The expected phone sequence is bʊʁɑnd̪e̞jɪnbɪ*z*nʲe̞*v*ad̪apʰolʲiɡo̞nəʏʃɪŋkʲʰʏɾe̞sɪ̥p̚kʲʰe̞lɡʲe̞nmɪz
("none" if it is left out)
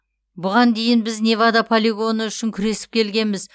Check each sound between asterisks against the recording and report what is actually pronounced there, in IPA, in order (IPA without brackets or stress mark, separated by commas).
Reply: z, v